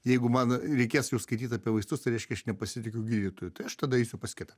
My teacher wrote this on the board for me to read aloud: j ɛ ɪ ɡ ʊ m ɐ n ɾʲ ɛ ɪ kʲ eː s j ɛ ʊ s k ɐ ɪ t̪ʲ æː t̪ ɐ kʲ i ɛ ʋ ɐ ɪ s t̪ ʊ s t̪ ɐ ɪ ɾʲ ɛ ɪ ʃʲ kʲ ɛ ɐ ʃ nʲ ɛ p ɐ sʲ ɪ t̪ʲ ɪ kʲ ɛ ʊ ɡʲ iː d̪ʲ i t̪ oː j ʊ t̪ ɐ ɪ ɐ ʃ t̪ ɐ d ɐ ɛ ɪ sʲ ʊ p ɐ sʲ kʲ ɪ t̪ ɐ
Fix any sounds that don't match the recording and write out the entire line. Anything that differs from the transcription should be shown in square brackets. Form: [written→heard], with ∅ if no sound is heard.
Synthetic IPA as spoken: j ɛ ɪ ɡ ʊ m ɐ n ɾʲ ɛ ɪ kʲ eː s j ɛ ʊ s k ɐ ɪ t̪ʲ [æː→iː] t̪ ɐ [kʲ→pʲ] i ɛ ʋ ɐ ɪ s t̪ ʊ s t̪ ɐ ɪ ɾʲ ɛ ɪ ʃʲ kʲ ɛ ɐ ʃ nʲ ɛ p ɐ sʲ ɪ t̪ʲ ɪ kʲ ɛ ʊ ɡʲ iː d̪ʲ i t̪ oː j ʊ t̪ ɐ ɪ ɐ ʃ t̪ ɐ d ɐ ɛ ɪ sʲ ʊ p ɐ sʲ kʲ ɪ t̪ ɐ